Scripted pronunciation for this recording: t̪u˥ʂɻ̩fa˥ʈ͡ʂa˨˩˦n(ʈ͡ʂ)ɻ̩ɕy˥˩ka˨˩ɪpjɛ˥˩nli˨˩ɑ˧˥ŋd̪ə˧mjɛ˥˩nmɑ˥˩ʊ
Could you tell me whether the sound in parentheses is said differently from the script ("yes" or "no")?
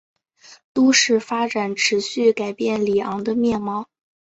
yes